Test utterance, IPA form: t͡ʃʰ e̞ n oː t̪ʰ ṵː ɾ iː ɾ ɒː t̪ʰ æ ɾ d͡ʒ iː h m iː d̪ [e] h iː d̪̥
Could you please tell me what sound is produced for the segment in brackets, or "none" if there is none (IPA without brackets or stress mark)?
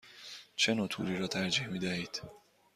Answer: æ